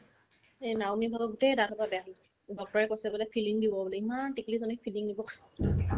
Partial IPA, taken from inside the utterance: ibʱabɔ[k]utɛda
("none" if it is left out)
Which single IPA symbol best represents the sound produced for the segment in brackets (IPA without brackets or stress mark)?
ɡ